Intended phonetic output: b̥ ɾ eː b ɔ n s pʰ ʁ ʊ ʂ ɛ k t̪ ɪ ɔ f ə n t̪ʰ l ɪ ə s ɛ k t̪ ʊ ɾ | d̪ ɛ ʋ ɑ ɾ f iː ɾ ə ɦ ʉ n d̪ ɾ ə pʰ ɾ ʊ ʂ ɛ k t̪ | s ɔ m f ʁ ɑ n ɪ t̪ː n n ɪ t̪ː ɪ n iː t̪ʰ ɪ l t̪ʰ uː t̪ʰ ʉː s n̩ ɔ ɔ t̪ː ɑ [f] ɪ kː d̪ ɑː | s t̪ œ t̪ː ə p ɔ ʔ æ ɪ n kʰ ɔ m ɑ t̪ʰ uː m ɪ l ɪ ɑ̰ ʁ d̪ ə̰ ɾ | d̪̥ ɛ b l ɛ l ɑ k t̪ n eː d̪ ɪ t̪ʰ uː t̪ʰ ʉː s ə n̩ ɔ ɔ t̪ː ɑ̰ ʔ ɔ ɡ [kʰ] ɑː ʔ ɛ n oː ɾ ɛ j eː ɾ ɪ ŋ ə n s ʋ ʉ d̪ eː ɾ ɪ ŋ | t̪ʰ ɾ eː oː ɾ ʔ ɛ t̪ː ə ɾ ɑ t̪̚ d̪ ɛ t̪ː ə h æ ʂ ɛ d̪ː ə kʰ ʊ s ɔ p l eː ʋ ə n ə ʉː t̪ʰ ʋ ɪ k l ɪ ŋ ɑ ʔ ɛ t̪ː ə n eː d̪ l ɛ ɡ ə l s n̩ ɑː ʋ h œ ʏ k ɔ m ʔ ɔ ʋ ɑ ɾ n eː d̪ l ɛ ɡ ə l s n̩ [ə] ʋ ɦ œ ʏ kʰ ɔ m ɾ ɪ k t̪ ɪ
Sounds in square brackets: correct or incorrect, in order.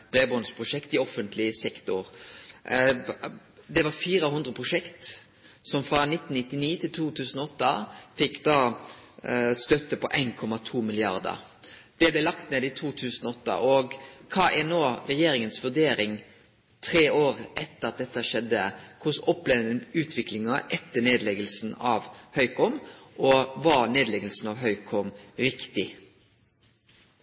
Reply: correct, correct, incorrect: ɑ

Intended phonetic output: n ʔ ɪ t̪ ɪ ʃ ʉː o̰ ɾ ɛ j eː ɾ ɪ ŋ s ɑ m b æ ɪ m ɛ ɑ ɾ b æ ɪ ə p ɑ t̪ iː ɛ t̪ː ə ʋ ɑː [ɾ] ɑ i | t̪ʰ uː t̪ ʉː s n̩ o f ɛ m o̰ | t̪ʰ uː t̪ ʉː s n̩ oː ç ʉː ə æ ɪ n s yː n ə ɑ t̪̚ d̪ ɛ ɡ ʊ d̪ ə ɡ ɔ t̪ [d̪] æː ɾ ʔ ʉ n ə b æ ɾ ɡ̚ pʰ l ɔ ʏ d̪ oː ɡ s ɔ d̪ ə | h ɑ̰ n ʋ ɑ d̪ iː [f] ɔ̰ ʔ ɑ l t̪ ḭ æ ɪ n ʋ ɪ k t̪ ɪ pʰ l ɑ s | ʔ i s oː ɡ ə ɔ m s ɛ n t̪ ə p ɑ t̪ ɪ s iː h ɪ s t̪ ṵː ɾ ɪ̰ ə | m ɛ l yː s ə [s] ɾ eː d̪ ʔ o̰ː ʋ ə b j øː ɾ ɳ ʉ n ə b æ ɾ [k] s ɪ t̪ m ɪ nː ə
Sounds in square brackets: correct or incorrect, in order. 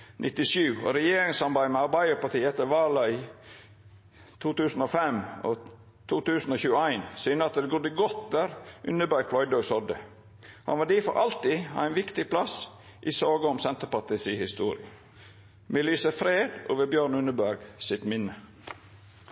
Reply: incorrect: l, correct, correct, incorrect: f, incorrect: ɡ

